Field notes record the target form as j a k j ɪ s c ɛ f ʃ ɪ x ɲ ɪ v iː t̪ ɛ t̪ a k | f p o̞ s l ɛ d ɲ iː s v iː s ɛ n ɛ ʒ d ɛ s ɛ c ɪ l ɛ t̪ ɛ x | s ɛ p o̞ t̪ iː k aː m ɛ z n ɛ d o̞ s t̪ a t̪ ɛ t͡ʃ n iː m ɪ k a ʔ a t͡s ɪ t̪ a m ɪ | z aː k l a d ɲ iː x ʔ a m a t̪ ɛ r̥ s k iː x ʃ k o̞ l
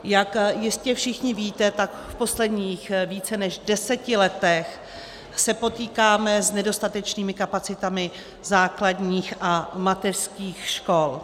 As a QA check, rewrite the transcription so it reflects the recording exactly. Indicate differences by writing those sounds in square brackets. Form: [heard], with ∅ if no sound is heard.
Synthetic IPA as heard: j a k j ɪ s c ɛ f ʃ ɪ x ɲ ɪ v iː t̪ ɛ t̪ a k | f p o̞ s l ɛ d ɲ iː [x] v iː [t͡s] ɛ n ɛ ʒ d ɛ s ɛ c ɪ l ɛ t̪ ɛ x | s ɛ p o̞ t̪ iː k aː m ɛ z n ɛ d o̞ s t̪ a t̪ ɛ t͡ʃ n iː m ɪ k a [p] a t͡s ɪ t̪ a m ɪ | z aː k l a d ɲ iː x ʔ a m a t̪ ɛ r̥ s k iː x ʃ k o̞ l